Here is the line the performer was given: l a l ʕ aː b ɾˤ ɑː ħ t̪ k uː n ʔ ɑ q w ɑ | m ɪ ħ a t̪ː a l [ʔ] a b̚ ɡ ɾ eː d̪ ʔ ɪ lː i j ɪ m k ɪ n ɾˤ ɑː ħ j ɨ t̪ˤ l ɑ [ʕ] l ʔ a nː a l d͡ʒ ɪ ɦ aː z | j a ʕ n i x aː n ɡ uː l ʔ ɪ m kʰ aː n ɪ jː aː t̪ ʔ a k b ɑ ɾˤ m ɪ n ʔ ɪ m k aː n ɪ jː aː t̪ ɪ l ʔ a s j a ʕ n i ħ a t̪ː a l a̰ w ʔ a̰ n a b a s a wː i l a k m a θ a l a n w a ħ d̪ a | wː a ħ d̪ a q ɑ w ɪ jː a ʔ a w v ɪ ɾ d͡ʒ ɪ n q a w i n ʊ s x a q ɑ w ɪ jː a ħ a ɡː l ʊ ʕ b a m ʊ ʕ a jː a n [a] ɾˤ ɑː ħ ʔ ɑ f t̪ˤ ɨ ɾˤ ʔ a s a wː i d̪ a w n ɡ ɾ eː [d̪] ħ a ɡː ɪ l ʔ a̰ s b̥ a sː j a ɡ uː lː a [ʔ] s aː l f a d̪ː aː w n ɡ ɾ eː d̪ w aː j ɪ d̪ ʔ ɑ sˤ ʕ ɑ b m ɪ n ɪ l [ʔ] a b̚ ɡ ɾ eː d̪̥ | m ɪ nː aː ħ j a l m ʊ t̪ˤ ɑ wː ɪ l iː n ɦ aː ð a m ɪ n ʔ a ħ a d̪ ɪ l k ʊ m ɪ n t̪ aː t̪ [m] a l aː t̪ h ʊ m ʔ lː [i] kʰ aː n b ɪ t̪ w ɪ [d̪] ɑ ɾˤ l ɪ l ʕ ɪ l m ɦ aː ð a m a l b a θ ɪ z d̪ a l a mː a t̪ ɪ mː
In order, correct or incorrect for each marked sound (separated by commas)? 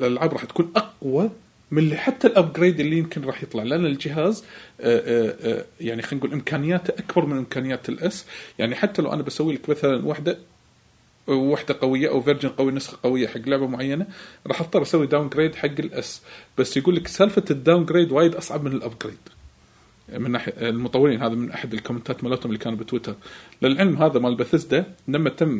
correct, correct, correct, correct, incorrect, correct, correct, correct, incorrect